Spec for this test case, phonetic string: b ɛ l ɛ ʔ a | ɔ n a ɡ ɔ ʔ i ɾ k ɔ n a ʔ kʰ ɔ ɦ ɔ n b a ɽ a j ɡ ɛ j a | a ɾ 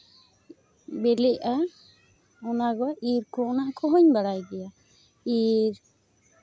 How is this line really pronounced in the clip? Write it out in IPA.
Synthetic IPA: b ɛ l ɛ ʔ a | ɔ n a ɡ ɔ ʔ i ɾ k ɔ n a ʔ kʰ ɔ ɦ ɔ ɲ b a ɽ a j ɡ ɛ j a | i ɾ